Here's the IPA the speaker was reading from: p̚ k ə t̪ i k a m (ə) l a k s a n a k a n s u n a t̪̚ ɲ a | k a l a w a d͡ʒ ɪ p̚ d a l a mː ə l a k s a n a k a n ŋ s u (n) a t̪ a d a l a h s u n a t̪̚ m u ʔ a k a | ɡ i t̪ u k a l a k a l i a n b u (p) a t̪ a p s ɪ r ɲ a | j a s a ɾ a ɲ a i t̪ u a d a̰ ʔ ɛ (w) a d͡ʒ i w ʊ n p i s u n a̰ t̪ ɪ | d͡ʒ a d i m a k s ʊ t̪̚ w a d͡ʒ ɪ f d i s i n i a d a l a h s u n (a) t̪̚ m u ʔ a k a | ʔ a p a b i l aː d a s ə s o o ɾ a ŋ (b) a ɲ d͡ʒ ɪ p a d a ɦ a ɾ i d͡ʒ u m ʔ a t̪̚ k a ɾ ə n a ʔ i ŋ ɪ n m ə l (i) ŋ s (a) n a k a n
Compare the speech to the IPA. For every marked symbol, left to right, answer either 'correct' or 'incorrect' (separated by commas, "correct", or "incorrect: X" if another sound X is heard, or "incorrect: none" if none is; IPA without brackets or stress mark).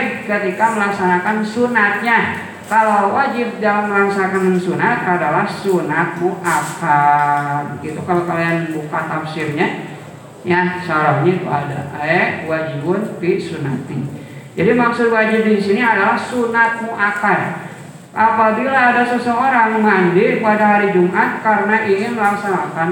correct, correct, incorrect: k, correct, correct, incorrect: m, incorrect: a, correct